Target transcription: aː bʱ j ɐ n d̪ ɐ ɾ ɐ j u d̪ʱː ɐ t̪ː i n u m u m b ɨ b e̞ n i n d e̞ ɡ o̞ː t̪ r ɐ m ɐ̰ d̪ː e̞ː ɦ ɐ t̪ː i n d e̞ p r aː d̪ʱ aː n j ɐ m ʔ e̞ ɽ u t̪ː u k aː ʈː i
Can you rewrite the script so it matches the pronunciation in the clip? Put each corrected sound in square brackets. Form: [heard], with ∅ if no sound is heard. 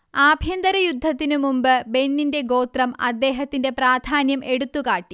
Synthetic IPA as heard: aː bʱ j ɐ n d̪ ɐ ɾ ɐ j u d̪ʱː ɐ t̪ː i n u m u m b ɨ b e̞ [nː] i n d e̞ ɡ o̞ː t̪ r ɐ m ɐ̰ d̪ː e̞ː ɦ ɐ t̪ː i n d e̞ p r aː d̪ʱ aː n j ɐ m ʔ e̞ ɽ u t̪ː u k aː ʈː i